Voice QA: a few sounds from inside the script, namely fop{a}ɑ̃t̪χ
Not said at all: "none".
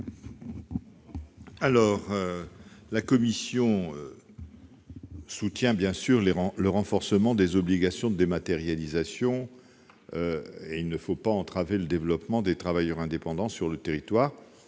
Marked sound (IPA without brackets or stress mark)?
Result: a